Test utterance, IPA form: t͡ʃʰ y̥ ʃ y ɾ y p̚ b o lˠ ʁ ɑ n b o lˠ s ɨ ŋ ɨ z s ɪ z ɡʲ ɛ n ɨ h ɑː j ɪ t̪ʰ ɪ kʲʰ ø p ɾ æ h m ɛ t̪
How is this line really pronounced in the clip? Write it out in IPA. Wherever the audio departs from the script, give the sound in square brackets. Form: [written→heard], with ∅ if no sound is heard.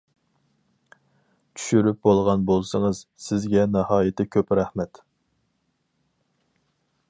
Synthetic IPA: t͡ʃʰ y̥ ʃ y ɾ y p̚ b o lˠ ʁ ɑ n b o lˠ s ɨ ŋ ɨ z s ɪ z ɡʲ ɛ n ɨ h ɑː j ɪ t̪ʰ ɪ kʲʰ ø p ɾ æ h m ɛ t̪